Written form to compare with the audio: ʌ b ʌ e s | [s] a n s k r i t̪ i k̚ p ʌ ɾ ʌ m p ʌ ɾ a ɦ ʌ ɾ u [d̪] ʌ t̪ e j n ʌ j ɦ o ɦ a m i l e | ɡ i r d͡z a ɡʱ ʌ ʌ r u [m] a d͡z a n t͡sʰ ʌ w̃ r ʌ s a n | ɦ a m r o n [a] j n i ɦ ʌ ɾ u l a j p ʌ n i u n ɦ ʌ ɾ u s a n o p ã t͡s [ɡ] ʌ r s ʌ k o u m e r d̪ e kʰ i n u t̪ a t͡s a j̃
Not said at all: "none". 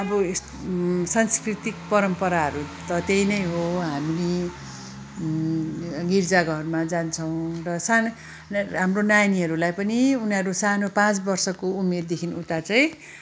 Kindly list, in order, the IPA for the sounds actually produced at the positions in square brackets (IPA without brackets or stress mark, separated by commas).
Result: s, t̪, m, a, b